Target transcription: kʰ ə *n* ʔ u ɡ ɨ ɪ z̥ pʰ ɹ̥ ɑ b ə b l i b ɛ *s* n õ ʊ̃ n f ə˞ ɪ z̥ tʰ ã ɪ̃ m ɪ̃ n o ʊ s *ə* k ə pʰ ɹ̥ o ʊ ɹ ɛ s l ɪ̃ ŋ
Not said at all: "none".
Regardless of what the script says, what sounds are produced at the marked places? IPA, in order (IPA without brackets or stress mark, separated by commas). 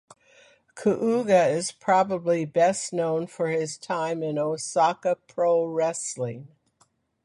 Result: none, s, ɑ